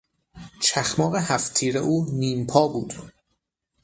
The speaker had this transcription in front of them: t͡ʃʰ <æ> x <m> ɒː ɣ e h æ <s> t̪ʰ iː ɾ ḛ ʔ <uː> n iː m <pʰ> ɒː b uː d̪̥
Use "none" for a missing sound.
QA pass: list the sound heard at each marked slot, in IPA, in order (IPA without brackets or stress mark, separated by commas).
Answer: æ, m, f, uː, pʰ